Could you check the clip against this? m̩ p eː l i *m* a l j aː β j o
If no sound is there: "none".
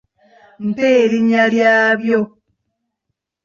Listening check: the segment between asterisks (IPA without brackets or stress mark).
ɲ